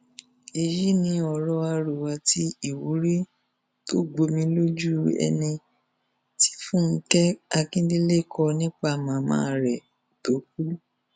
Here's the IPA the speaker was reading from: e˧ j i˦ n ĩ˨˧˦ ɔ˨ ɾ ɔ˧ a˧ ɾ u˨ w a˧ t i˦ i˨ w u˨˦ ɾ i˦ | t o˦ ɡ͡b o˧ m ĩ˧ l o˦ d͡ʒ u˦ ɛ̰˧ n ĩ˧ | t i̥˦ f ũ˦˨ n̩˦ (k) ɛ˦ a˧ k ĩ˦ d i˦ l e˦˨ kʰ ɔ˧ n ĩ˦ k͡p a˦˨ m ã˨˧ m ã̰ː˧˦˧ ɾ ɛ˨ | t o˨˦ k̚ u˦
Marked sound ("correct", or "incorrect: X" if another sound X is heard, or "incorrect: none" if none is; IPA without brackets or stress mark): correct